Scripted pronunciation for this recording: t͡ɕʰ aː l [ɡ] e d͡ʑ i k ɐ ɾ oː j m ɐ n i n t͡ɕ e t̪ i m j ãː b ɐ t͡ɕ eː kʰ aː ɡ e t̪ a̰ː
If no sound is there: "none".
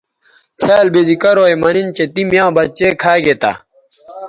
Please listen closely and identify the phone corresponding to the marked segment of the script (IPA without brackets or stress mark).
b